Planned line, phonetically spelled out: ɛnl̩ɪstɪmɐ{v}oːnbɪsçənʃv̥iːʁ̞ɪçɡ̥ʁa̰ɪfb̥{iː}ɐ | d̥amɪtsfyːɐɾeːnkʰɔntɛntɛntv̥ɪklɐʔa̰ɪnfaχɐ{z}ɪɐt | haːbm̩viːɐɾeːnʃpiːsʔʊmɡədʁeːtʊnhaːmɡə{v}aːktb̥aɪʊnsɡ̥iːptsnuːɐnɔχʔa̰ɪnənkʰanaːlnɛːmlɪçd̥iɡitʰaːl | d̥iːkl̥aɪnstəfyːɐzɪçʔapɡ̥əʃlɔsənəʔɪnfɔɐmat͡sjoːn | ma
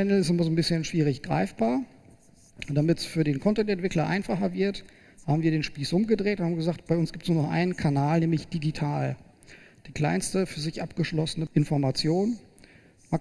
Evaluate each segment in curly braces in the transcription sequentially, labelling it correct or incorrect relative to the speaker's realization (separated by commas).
incorrect, incorrect, incorrect, incorrect